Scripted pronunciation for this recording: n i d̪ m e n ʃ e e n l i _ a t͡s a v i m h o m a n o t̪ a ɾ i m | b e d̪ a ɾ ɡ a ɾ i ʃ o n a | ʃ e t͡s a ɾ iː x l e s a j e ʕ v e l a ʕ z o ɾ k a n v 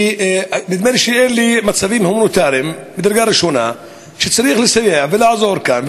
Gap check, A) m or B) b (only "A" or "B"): A